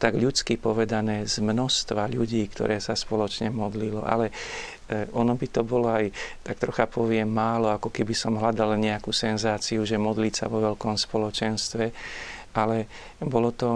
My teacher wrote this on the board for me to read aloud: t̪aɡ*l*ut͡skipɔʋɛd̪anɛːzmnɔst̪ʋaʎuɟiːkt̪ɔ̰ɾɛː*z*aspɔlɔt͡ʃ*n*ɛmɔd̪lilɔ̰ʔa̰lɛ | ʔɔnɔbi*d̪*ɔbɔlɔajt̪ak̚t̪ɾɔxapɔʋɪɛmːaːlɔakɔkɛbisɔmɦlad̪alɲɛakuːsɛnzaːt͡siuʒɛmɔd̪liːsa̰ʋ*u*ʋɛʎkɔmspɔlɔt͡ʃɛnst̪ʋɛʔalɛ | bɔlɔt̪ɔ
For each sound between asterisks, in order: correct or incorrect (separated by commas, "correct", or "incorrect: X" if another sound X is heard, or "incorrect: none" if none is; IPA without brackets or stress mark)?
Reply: incorrect: ʎ, incorrect: s, incorrect: ɲ, incorrect: t̪, incorrect: ɔ